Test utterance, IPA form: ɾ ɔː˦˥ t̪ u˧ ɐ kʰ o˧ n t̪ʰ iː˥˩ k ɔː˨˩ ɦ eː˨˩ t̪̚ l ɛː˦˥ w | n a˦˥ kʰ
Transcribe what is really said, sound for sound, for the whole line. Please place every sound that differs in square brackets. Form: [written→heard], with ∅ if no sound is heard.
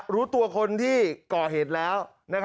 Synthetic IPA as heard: ɾ [ɔː˦˥→uː˦˥] t̪ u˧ ɐ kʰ o˧ n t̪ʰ iː˥˩ k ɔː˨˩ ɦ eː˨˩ t̪̚ l ɛː˦˥ w | n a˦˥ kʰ